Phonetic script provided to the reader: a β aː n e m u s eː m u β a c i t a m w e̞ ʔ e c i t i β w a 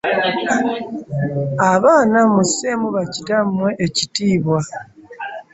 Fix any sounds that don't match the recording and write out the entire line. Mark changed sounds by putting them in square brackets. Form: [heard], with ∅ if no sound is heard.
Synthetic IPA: a β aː n [a] m u s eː m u β a c i t a m w e̞ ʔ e c i t [iː] β w a